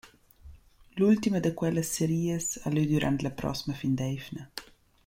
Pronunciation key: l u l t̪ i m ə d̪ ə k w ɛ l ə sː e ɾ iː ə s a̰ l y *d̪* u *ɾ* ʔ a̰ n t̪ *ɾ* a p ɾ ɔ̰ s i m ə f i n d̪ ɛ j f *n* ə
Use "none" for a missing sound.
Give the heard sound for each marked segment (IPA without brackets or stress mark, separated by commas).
d̪, ɾ, l, n